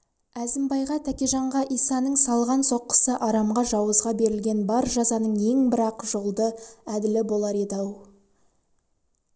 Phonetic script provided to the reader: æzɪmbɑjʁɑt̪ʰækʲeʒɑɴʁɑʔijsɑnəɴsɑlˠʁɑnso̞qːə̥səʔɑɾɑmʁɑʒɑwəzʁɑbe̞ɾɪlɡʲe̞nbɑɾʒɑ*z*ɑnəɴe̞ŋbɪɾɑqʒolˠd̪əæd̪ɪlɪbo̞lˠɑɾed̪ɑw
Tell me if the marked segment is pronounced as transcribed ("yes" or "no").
yes